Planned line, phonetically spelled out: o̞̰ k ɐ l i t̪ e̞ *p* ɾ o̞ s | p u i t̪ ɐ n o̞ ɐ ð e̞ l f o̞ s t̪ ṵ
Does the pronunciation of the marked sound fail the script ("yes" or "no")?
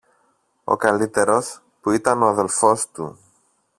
yes